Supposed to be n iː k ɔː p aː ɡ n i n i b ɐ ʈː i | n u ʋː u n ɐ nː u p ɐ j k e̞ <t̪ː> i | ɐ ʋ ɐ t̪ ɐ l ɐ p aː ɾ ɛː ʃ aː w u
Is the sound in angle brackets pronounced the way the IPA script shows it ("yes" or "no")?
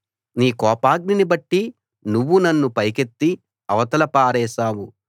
yes